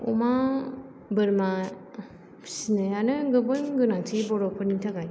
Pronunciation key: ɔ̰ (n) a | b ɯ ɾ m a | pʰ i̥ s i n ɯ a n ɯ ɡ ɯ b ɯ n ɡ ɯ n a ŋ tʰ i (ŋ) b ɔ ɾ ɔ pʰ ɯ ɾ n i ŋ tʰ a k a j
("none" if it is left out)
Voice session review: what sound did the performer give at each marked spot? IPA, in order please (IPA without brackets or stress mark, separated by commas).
m, none